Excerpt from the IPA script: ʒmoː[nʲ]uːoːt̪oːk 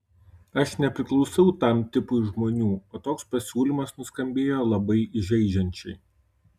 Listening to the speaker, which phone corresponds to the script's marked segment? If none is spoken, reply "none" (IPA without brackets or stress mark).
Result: nʲ